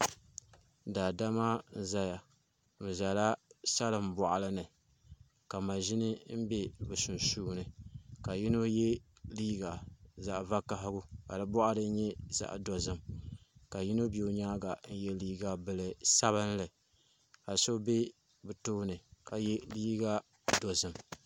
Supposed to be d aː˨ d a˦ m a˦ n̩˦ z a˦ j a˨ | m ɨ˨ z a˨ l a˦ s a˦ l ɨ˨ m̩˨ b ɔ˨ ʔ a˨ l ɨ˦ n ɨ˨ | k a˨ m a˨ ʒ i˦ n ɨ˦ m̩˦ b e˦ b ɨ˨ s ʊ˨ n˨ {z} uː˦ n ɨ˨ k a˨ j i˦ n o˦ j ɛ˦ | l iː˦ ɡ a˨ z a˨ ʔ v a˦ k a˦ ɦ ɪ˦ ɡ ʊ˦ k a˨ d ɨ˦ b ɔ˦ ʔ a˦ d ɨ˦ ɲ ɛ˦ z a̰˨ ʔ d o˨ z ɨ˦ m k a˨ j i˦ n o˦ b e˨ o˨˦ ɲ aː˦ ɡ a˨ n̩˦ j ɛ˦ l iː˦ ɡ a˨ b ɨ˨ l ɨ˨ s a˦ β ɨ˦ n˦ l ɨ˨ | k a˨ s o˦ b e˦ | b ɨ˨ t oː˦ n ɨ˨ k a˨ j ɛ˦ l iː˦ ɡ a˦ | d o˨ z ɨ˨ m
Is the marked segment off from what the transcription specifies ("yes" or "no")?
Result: yes